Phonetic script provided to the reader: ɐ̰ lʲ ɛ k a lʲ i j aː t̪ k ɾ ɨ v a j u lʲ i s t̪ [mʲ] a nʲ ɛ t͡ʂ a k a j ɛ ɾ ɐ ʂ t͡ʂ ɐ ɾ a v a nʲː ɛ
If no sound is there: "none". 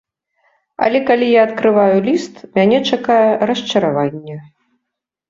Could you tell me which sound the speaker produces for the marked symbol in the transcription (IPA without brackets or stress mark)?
mʲ